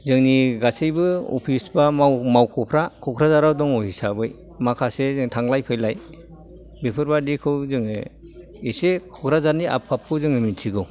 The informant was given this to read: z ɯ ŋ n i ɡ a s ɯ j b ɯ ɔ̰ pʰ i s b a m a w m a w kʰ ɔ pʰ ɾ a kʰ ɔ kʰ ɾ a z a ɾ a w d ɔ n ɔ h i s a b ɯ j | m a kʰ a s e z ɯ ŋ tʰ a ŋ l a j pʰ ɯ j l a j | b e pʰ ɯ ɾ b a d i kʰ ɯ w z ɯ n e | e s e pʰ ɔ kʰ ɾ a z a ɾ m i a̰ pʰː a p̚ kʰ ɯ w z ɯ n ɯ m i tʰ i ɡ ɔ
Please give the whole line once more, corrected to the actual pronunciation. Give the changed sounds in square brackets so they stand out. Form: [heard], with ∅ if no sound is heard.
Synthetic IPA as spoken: z ɯ ŋ n i ɡ a s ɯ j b ɯ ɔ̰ pʰ i s b a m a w m a w kʰ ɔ pʰ ɾ a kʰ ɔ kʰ ɾ a z a ɾ a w d ɔ [ŋ] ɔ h i s a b ɯ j | m a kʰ a s e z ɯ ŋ tʰ a ŋ l a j pʰ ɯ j l a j | b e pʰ ɯ ɾ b a d i kʰ ɯ w z ɯ [ŋ] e | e s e [kʰ] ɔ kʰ ɾ a z a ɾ [n] i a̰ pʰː a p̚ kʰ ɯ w z ɯ [ŋ] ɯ m i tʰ i ɡ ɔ